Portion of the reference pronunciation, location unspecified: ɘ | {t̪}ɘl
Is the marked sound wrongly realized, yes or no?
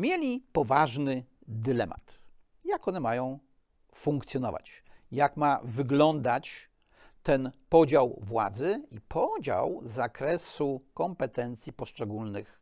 yes